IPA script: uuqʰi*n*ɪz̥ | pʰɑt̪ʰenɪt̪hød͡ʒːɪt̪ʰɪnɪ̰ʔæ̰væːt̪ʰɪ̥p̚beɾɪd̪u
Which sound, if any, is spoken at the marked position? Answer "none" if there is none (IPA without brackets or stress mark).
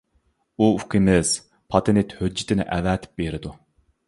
m